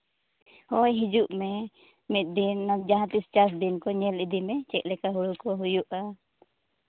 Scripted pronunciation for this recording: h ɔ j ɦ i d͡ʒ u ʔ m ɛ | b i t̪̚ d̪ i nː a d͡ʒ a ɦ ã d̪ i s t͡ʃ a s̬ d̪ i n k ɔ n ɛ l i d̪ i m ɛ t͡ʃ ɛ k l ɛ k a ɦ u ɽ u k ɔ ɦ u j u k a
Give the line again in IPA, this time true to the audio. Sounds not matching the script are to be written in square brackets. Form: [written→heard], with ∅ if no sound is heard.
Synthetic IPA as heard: h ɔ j ɦ i d͡ʒ u ʔ m ɛ | [b→m] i t̪̚ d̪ i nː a d͡ʒ a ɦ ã [d̪→t̪] i s t͡ʃ a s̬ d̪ i n k ɔ [n→ɲ] ɛ l i d̪ i m ɛ t͡ʃ ɛ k l ɛ k a ɦ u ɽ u k ɔ ɦ u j u [k→ʔ] a

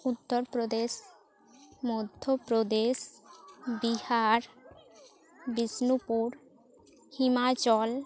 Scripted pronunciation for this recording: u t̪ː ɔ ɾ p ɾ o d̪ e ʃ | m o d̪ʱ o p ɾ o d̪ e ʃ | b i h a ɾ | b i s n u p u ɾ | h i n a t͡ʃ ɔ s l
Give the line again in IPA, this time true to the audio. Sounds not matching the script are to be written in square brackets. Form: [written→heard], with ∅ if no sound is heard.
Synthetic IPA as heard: u t̪ː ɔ ɾ p ɾ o d̪ e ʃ | m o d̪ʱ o p ɾ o d̪ e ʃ | b i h a ɾ | b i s n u p u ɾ | h i [n→m] a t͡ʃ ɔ [s→∅] l

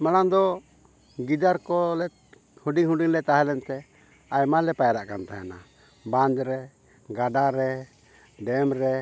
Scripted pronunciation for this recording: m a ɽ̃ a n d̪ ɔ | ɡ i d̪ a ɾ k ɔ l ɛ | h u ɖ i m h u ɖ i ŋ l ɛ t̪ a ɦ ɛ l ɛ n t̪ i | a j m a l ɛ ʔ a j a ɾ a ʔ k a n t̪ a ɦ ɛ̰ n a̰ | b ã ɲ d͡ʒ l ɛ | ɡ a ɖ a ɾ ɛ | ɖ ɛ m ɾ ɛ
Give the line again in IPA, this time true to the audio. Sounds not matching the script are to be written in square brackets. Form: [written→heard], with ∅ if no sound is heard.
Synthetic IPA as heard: m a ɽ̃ a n d̪ ɔ | ɡ i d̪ a ɾ k ɔ l ɛ | h u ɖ i [m→ŋ] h u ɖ i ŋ l ɛ t̪ a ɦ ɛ l ɛ n t̪ [i→ɛ] | a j m a l ɛ [ʔ→p] a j a ɾ a ʔ k a n t̪ a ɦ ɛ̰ n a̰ | b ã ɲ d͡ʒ [l→ɾ] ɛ | ɡ a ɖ a ɾ ɛ | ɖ ɛ m ɾ ɛ

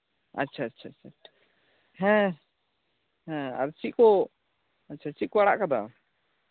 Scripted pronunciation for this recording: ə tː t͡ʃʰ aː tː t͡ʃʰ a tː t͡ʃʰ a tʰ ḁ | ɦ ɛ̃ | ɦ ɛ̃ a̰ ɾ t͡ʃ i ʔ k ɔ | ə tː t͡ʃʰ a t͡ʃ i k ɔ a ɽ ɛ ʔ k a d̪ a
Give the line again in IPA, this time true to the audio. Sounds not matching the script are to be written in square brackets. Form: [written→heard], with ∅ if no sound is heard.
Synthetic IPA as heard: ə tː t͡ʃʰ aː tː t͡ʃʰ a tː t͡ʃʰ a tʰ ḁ | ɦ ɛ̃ | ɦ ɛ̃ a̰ ɾ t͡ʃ i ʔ k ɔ | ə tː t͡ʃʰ a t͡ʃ i k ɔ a ɽ [ɛ→a] ʔ k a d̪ a

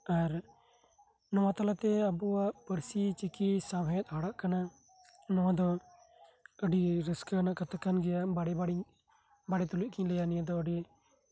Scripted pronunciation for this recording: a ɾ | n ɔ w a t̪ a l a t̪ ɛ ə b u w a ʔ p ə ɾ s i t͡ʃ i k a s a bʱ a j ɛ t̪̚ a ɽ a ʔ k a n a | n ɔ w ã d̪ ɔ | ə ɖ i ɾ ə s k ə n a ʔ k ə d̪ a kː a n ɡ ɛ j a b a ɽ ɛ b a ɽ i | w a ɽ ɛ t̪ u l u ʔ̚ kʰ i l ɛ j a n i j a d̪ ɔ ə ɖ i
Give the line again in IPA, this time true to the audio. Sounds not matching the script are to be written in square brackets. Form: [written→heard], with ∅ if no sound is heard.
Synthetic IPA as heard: a ɾ | n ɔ w a t̪ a l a t̪ ɛ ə b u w a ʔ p ə ɾ s i t͡ʃ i k [a→i] s a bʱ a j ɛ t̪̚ a ɽ a ʔ k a n a | n ɔ w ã d̪ ɔ | ə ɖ i ɾ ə s k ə n a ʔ k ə [d̪→t̪] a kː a n ɡ ɛ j a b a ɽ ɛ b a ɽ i | [w→b] a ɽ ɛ t̪ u l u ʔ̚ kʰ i l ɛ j a n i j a d̪ ɔ ə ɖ i

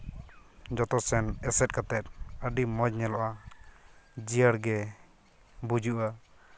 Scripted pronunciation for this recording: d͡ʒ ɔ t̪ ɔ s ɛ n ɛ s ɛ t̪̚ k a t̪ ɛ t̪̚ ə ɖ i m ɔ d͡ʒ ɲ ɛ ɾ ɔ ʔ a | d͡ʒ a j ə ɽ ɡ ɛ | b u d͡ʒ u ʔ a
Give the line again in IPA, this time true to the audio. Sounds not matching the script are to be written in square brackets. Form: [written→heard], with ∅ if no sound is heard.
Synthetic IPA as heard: d͡ʒ ɔ t̪ ɔ s ɛ n ɛ s ɛ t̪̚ k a t̪ ɛ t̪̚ ə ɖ i m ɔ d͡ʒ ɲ ɛ [ɾ→l] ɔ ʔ a | d͡ʒ [a→i] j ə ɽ ɡ ɛ | b u d͡ʒ u ʔ a

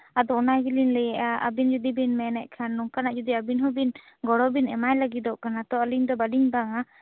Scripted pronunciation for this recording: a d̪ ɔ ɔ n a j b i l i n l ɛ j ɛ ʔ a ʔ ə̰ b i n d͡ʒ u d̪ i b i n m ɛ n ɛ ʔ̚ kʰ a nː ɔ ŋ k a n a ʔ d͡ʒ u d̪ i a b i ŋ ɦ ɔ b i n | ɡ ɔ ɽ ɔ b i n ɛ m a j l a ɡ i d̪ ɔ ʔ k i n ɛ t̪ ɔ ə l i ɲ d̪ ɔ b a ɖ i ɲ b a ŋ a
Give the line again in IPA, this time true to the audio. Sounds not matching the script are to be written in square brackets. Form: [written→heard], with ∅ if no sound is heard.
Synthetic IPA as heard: a d̪ ɔ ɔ n a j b i l i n l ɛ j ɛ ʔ a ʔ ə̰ b i n d͡ʒ u d̪ i b i n m ɛ n ɛ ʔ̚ kʰ a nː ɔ ŋ k a n a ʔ d͡ʒ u d̪ i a b i [ŋ→n] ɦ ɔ b i n | ɡ ɔ ɽ ɔ b i n ɛ m a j l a ɡ i d̪ ɔ ʔ k [i→a] n [ɛ→a] t̪ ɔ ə l i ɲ d̪ ɔ b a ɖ i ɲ b a ŋ a

